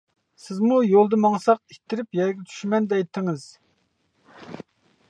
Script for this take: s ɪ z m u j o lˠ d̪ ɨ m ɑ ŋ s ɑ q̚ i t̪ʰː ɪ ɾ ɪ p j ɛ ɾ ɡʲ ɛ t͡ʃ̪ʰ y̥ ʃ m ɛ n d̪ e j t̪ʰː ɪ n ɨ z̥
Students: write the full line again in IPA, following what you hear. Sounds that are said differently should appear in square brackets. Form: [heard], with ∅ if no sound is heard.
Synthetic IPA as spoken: s ɪ z m u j o lˠ d̪ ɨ m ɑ ŋ s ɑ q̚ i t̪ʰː ɪ ɾ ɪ p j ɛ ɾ ɡʲ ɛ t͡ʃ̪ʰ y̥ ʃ m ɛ n d̪ [ɛ] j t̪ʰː ɪ [ŋ] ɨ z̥